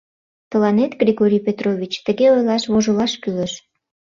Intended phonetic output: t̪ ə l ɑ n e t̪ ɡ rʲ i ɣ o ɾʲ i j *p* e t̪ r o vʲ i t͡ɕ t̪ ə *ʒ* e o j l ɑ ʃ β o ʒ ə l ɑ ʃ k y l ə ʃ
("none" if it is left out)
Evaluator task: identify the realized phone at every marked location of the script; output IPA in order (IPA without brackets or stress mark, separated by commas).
p, ɣ